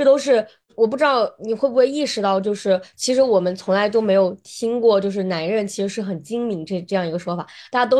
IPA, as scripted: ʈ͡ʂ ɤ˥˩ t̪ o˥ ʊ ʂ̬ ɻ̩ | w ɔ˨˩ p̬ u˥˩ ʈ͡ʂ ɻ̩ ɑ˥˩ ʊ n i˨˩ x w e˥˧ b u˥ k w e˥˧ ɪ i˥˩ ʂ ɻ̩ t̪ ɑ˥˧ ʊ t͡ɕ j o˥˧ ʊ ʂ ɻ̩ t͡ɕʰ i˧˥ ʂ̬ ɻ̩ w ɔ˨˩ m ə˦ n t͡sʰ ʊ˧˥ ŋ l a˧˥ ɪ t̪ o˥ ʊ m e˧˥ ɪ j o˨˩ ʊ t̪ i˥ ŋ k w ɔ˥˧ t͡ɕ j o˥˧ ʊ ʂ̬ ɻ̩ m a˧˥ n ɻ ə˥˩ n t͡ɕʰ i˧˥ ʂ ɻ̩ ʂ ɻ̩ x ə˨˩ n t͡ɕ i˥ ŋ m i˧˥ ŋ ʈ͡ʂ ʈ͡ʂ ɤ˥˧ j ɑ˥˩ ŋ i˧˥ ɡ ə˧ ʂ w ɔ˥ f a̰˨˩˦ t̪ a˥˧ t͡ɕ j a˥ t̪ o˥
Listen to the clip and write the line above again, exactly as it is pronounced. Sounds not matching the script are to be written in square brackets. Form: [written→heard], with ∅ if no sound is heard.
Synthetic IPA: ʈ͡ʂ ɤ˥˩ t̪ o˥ ʊ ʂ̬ ɻ̩ | w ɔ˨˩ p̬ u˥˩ ʈ͡ʂ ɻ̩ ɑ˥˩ ʊ n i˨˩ x w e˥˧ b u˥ [k→x] w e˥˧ ɪ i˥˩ ʂ ɻ̩ t̪ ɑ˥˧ ʊ t͡ɕ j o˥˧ ʊ ʂ ɻ̩ t͡ɕʰ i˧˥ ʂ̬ ɻ̩ w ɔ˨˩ m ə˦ n t͡sʰ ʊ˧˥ ŋ l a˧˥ ɪ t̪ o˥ ʊ m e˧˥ ɪ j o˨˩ ʊ [t̪→t̪ʰ] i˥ ŋ k w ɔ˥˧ t͡ɕ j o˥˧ ʊ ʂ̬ ɻ̩ [m→n] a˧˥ n ɻ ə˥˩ n t͡ɕʰ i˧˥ ʂ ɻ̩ ʂ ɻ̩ x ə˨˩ n t͡ɕ i˥ ŋ m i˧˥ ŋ ʈ͡ʂ ʈ͡ʂ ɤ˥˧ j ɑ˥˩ ŋ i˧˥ ɡ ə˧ ʂ w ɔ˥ f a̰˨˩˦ t̪ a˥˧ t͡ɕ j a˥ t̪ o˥